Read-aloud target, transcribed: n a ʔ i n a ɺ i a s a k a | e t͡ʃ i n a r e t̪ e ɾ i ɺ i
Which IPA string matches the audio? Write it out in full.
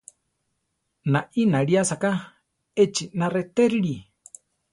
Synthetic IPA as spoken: n a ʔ i n a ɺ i a s a k a | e t͡ʃ i n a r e t̪ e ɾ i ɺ i